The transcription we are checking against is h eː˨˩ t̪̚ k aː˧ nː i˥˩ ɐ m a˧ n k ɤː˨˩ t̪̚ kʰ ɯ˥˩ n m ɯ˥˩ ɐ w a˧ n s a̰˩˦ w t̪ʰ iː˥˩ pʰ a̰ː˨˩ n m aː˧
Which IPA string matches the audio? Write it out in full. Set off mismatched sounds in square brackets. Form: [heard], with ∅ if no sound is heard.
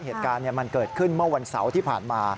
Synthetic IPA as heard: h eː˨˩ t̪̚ k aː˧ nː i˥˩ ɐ m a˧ n k ɤː˨˩ t̪̚ kʰ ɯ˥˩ n m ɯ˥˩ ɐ w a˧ n s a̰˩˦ w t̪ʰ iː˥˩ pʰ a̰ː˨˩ n m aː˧